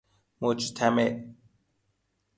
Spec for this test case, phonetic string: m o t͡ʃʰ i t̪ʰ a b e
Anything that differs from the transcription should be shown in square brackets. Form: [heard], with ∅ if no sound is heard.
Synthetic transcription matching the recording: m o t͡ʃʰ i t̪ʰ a [m] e